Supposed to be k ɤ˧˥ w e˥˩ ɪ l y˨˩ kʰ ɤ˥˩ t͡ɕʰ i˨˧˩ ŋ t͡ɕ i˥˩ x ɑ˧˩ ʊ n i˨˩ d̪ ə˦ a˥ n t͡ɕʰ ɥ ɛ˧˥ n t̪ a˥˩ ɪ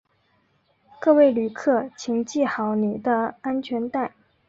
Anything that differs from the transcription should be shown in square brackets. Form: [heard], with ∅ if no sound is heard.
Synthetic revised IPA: k [ɤ˥˧] w e˥˩ ɪ l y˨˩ kʰ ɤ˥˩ t͡ɕʰ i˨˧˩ ŋ t͡ɕ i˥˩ x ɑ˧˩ ʊ n i˨˩ d̪ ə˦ a˥ n t͡ɕʰ ɥ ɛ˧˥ n t̪ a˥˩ ɪ